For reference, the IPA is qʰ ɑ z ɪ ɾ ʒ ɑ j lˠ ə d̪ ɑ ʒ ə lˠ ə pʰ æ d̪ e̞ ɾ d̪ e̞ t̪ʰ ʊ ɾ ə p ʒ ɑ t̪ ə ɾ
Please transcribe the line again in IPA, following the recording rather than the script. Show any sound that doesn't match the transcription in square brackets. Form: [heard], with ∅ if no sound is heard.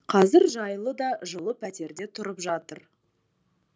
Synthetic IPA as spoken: qʰ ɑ z ɪ ɾ ʒ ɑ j lˠ ə d̪ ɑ ʒ ə lˠ ə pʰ æ [t̪] e̞ ɾ d̪ e̞ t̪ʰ ʊ ɾ ə p ʒ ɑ t̪ ə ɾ

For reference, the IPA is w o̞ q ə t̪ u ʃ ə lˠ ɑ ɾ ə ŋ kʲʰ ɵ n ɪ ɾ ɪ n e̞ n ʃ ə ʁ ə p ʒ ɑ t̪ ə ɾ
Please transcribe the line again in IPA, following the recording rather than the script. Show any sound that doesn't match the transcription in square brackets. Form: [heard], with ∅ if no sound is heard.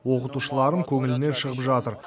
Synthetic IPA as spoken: w o̞ q ə t̪ u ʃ ə lˠ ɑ ɾ ə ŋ kʲʰ ɵ [ŋ] ɪ [l] ɪ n e̞ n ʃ ə ʁ ə p ʒ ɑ t̪ ə ɾ

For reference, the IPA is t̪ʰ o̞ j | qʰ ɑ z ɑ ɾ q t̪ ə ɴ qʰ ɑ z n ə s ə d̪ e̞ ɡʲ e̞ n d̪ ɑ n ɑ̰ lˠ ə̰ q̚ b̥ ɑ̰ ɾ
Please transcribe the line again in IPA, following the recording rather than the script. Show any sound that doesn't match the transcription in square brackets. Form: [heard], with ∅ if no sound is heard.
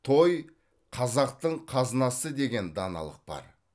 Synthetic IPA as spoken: t̪ʰ o̞ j | qʰ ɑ z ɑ [∅] q t̪ ə ɴ qʰ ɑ z n [ɑ] s ə d̪ e̞ ɡʲ e̞ n d̪ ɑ n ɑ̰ lˠ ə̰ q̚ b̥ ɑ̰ ɾ

